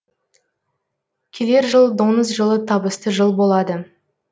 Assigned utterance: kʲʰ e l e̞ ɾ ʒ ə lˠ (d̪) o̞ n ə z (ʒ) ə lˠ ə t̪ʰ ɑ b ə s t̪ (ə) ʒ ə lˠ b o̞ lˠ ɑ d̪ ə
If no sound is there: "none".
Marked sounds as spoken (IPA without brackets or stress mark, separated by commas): d̪, ʒ, ə